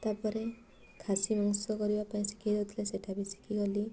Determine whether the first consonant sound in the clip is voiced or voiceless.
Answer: voiceless